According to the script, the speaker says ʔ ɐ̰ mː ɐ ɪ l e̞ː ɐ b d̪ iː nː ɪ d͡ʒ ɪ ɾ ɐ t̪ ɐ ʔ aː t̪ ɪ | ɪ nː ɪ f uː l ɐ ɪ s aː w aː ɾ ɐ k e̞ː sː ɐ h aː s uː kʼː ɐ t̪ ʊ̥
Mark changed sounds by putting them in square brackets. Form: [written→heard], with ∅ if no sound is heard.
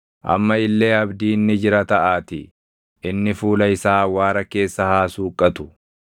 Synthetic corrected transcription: ʔ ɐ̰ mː ɐ ɪ [l→lː] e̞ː ɐ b d̪ iː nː ɪ d͡ʒ ɪ ɾ ɐ t̪ ɐ ʔ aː t̪ ɪ | ɪ nː ɪ f uː l ɐ ɪ s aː w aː ɾ ɐ k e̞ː sː ɐ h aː s uː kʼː ɐ t̪ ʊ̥